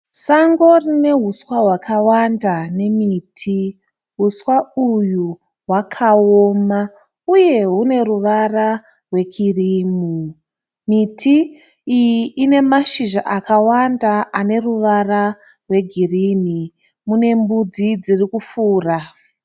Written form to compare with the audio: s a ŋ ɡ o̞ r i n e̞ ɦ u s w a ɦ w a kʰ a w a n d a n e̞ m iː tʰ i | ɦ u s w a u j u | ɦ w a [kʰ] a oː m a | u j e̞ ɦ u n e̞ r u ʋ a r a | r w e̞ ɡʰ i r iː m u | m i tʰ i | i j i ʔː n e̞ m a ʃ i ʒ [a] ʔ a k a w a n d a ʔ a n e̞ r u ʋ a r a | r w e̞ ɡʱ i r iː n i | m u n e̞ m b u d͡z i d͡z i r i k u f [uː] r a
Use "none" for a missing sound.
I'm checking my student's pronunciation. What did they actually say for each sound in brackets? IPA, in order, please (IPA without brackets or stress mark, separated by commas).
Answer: kʰ, a, uː